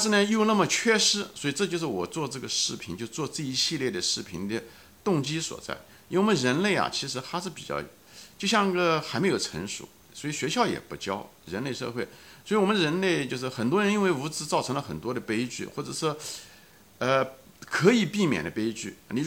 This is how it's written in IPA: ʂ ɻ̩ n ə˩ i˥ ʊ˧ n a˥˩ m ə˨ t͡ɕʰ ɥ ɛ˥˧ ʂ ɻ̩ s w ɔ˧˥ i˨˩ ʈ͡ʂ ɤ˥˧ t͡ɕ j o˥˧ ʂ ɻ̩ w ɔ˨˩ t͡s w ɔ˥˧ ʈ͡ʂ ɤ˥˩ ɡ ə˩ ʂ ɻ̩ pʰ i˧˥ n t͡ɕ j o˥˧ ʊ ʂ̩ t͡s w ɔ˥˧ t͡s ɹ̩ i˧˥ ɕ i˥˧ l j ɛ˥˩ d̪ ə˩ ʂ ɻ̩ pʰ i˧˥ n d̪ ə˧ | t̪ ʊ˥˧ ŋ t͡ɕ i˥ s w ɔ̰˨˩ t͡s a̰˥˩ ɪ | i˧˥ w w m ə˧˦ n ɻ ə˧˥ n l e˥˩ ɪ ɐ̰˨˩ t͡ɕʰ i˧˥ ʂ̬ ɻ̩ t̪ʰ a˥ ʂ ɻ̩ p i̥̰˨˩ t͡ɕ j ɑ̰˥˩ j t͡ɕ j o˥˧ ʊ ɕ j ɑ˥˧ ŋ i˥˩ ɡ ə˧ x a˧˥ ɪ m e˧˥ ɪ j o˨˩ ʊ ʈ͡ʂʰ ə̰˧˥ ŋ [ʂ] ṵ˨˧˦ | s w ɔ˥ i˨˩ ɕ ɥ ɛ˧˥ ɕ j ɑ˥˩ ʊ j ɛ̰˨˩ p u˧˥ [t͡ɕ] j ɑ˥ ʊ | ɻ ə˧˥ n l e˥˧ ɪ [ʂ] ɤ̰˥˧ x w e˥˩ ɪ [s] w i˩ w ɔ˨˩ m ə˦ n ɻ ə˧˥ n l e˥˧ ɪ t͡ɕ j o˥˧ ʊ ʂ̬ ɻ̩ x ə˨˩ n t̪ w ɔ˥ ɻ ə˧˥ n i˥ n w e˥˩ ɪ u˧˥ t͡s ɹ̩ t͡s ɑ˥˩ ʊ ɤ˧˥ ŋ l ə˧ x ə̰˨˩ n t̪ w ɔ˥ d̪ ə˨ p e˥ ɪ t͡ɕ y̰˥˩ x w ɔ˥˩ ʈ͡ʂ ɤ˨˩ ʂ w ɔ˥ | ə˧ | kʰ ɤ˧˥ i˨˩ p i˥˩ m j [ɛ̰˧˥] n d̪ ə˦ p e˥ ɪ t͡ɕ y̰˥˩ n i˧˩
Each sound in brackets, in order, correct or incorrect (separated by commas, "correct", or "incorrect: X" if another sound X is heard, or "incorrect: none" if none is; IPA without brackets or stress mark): correct, correct, correct, correct, incorrect: ɛ̰˨˩